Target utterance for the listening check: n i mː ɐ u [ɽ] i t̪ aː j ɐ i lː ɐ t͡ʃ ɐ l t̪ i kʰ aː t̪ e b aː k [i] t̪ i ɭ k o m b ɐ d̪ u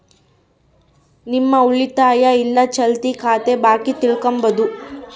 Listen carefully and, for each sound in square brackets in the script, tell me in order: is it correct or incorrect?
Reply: incorrect, correct

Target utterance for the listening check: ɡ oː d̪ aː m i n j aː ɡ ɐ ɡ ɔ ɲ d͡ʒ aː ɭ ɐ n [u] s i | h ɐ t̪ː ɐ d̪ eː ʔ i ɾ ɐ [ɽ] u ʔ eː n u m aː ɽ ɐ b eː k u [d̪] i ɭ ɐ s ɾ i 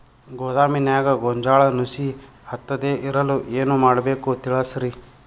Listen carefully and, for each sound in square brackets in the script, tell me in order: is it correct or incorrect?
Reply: correct, incorrect, incorrect

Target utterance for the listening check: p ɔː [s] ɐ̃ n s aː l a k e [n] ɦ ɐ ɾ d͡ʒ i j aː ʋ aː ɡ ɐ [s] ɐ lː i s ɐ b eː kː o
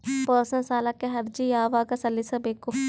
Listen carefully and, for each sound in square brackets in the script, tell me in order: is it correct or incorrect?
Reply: correct, incorrect, correct

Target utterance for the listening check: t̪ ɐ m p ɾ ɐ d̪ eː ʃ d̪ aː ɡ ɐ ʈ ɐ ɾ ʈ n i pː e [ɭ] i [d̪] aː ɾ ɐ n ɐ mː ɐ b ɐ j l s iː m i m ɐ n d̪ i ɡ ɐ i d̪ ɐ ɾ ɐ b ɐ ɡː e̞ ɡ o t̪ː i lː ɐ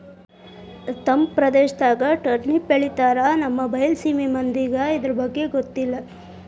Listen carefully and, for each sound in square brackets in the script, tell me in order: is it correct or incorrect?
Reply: correct, incorrect

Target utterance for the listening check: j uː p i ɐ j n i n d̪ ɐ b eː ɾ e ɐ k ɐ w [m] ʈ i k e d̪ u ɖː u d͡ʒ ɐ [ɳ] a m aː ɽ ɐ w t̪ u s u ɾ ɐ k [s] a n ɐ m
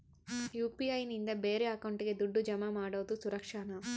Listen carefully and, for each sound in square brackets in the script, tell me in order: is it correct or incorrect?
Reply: incorrect, incorrect, incorrect

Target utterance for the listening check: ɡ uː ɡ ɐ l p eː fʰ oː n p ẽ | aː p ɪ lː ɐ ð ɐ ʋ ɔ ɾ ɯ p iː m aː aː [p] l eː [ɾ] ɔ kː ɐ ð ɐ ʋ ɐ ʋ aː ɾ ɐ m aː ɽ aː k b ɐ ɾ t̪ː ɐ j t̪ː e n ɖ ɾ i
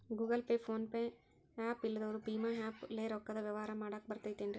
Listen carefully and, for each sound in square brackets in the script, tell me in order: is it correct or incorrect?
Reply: correct, correct

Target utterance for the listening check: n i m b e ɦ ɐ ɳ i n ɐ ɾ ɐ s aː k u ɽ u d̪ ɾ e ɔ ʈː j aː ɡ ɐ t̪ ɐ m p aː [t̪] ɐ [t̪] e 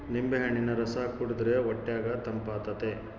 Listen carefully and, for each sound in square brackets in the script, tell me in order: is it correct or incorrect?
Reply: correct, correct

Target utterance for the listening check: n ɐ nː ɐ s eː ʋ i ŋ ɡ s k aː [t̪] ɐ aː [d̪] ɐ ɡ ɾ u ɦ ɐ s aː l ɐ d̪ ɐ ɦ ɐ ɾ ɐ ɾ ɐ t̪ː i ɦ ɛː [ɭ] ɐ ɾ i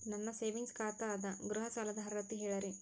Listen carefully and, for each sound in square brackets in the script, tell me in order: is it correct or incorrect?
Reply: correct, correct, correct

